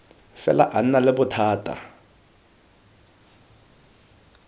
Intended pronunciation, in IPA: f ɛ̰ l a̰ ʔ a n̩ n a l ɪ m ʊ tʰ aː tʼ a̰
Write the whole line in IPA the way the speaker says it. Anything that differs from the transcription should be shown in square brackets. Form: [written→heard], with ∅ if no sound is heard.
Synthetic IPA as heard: f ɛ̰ l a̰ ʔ a n̩ n a l ɪ [m→b] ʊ tʰ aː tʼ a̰